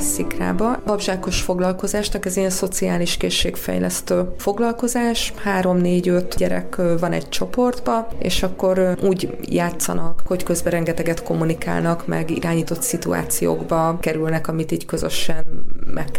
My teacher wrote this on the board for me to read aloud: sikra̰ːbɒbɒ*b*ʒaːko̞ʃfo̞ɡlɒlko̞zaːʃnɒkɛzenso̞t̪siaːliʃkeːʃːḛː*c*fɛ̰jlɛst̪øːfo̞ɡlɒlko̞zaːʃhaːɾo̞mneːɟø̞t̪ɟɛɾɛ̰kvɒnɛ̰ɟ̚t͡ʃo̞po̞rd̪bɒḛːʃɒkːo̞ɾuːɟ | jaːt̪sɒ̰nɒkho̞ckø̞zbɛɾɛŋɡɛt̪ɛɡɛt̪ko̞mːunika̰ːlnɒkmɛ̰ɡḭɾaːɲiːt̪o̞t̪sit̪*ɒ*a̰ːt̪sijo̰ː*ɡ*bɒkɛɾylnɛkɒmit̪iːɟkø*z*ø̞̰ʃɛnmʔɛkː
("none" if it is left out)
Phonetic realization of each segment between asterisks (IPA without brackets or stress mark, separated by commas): b, k, u, ɡ, z